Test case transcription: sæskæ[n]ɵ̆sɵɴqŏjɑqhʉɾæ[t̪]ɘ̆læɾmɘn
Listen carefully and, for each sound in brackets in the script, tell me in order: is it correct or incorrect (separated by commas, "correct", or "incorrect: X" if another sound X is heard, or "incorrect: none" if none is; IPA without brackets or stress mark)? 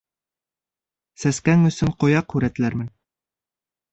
incorrect: ŋ, correct